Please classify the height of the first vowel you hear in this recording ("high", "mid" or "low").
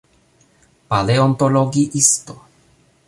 low